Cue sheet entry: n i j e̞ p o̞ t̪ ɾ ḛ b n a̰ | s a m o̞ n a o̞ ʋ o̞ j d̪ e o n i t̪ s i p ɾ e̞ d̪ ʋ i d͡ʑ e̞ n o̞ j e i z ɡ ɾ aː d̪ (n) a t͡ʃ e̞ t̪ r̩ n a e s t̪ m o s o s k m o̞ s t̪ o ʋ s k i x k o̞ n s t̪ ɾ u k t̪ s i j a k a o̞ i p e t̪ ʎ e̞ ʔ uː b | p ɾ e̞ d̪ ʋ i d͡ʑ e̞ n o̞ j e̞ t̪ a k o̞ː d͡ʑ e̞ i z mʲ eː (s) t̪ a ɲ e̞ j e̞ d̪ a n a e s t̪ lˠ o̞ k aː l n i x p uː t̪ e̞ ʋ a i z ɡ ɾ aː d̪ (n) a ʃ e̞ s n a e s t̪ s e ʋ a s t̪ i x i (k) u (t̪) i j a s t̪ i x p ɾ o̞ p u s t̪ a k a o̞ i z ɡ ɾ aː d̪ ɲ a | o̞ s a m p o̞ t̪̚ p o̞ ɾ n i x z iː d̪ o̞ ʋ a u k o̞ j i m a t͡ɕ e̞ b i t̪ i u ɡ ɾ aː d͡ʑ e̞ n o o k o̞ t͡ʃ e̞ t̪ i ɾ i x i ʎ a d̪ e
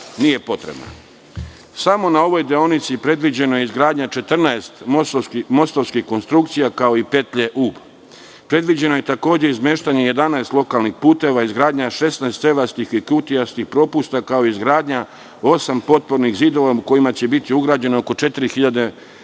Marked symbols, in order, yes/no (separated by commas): no, no, no, yes, yes